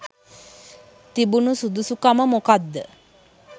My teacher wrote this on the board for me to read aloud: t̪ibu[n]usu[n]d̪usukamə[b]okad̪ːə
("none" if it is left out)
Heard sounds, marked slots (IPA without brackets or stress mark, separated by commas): n, none, m